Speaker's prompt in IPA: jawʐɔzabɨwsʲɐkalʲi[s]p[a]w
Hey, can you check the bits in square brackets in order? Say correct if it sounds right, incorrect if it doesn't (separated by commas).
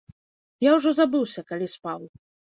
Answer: correct, correct